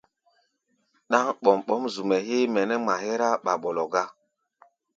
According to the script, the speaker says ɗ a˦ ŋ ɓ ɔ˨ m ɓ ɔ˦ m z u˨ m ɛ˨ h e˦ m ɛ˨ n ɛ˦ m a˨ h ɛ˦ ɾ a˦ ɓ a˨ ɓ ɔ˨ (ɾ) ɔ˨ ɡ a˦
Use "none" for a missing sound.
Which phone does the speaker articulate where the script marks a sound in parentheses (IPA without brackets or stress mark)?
l